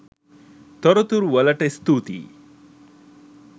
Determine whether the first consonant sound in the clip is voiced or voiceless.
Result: voiceless